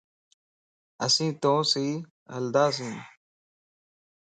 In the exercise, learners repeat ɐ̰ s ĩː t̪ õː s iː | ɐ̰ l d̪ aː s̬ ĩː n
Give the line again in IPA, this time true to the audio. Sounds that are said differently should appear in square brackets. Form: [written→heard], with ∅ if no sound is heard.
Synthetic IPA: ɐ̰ s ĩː t̪ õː s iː | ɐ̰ l d̪ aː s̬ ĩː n